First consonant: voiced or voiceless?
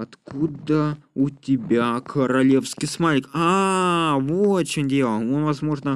voiceless